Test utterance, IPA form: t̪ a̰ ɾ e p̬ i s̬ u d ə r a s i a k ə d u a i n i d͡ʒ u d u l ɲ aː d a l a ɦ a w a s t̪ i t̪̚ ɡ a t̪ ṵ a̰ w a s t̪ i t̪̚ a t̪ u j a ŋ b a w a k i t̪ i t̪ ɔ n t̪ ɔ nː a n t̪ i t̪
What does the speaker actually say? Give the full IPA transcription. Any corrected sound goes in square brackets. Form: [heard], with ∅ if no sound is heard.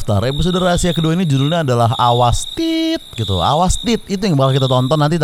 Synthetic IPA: t̪ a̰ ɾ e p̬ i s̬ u d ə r a s i a k ə d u a i n i d͡ʒ u d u l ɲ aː d a l a ɦ a w a s t̪ i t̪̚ ɡ [i] t̪ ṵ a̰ w a s t̪ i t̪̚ [i] t̪ u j a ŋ b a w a k i t̪ [a] t̪ ɔ n t̪ ɔ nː a n t̪ i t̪